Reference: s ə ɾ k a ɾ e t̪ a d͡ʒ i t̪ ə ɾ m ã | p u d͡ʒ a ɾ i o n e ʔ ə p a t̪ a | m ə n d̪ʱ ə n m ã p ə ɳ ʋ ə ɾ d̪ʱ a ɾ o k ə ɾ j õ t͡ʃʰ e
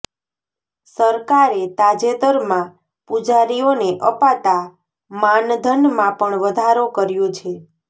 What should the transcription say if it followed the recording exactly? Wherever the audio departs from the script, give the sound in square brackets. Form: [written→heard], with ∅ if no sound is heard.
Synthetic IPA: s ə ɾ k a ɾ e t̪ a d͡ʒ [i→e] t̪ ə ɾ m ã | p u d͡ʒ a ɾ i o n e ʔ ə p a t̪ a | m [ə→a] n d̪ʱ ə n m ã p ə ɳ ʋ ə [ɾ→∅] d̪ʱ a ɾ o k ə ɾ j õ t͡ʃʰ e

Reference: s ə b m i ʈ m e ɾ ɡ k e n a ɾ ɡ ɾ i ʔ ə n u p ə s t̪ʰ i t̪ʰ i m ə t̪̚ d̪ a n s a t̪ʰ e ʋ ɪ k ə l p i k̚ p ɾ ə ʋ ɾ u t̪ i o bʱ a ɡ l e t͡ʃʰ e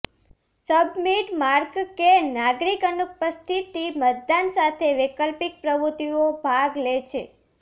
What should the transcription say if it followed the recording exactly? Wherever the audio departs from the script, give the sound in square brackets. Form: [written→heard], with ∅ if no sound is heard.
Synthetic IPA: s ə b m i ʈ m [e→a] ɾ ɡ k e n a [ɾ→∅] ɡ ɾ i [ʔ→k] ə n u p ə s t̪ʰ i [t̪ʰ→t̪] i m ə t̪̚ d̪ a n s a t̪ʰ e ʋ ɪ k ə l p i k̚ p ɾ ə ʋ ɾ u t̪ i o bʱ a ɡ l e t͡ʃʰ e

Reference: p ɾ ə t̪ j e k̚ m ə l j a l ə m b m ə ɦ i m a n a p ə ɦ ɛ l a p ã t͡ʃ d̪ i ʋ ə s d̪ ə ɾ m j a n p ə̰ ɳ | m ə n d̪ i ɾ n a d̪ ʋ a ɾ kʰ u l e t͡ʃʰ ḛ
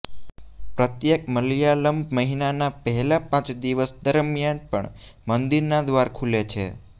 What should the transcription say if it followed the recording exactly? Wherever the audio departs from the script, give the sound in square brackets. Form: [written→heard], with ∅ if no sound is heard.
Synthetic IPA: p ɾ ə t̪ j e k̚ m ə l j a l ə m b m ə ɦ i [m→n] a n a p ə ɦ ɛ l a p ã t͡ʃ d̪ i ʋ ə s d̪ ə ɾ m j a n p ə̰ ɳ | m ə n d̪ i ɾ n a d̪ ʋ a ɾ kʰ u l e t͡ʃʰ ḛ

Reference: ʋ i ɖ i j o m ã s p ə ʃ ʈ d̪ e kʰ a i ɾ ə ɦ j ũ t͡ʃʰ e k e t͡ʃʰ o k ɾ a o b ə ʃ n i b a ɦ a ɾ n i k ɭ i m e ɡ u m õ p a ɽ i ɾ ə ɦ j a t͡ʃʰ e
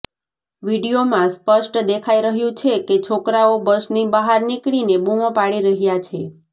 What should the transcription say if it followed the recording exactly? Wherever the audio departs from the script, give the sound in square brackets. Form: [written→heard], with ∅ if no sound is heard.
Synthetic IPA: ʋ i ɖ i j o m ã s p ə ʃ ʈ d̪ e kʰ a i ɾ ə ɦ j ũ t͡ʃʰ e k e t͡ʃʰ o k ɾ a o b ə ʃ n i b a ɦ a ɾ n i k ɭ i [m→n] e [ɡ→b] u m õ p a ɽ i ɾ ə ɦ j a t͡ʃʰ e

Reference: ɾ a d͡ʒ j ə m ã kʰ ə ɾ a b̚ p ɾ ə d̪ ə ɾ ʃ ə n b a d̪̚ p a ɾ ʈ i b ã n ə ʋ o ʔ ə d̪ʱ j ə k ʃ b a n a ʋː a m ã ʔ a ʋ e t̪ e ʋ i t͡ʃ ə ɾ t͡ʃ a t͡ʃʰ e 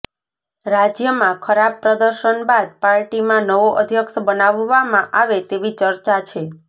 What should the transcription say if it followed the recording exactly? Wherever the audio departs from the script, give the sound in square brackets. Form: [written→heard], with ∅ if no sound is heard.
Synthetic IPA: ɾ a d͡ʒ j ə m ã kʰ ə ɾ a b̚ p ɾ ə d̪ ə ɾ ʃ ə n b a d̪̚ p a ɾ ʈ i [b→m] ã n ə ʋ o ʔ ə d̪ʱ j ə k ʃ b [a→ə] n a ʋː a m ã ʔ a ʋ e t̪ e ʋ i t͡ʃ ə ɾ t͡ʃ a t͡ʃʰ e

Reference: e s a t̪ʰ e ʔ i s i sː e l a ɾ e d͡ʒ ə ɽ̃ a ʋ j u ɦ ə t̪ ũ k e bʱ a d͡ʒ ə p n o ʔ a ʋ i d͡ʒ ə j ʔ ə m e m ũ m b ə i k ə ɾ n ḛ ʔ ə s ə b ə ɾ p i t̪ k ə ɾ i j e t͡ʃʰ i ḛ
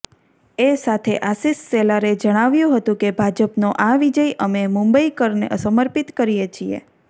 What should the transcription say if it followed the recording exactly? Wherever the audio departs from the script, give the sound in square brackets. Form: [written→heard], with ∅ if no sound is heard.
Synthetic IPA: e s a t̪ʰ e ʔ [i→a] s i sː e l a ɾ e d͡ʒ ə ɽ̃ a ʋ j [u→ũ] ɦ ə t̪ ũ k e bʱ a d͡ʒ ə p n o ʔ a ʋ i d͡ʒ ə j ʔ ə m e m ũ m b ə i k ə ɾ n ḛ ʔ ə s ə [b→m] ə ɾ p i t̪ k ə ɾ i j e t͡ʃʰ i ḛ

